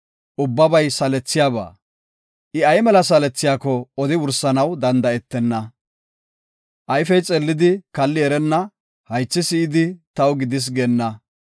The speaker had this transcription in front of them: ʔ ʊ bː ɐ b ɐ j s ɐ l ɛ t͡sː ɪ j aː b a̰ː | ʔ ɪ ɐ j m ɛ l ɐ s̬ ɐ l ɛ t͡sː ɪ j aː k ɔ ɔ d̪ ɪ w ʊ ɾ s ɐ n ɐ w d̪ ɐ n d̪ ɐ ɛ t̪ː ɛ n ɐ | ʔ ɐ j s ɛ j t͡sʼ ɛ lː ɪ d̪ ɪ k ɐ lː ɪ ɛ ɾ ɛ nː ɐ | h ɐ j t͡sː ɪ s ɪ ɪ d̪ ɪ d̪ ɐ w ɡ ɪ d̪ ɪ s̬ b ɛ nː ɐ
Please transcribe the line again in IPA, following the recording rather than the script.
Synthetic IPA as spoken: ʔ ʊ bː ɐ b ɐ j s ɐ l ɛ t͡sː ɪ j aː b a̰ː | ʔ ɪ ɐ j m ɛ l ɐ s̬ ɐ l ɛ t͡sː ɪ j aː k ɔ ɔ d̪ ɪ w ʊ ɾ s ɐ n ɐ w d̪ ɐ n d̪ ɐ ɛ t̪ː ɛ nː ɐ | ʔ ɐ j f ɛ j t͡sʼ ɛ lː ɪ d̪ ɪ k ɐ lː ɪ ɛ ɾ ɛ nː ɐ | h ɐ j t͡sː ɪ s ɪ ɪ d̪ ɪ t̪ ɐ w ɡ ɪ d̪ ɪ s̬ ɡ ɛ nː ɐ